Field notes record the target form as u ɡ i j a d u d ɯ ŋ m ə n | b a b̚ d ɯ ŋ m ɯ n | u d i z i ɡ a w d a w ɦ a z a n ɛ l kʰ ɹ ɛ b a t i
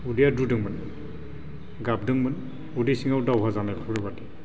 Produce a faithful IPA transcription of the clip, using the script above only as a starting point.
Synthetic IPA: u d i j a d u d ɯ ŋ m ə n | ɡ a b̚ d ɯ ŋ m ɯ n | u d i s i ŋ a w d a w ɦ a z a n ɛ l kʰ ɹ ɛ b a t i